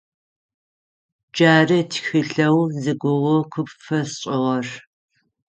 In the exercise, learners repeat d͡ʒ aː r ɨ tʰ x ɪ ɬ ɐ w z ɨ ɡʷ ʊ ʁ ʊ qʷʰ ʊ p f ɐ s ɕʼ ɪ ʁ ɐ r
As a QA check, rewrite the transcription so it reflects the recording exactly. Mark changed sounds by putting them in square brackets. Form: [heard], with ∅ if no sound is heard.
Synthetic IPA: d͡ʒ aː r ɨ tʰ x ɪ ɬ ɐ w z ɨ ɡʷ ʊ ʁ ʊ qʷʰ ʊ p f ɐ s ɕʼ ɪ ʁ ɐ r